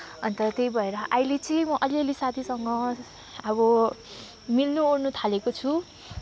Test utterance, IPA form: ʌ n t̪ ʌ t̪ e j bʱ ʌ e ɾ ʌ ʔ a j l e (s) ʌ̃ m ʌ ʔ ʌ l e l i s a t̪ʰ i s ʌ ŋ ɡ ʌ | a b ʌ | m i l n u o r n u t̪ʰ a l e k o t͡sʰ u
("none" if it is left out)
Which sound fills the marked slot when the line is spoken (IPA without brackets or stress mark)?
t͡s